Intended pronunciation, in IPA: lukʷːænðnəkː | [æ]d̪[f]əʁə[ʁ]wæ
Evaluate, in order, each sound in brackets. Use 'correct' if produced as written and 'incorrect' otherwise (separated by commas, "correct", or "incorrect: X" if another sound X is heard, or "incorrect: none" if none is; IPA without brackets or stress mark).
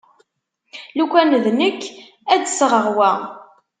correct, incorrect: s, correct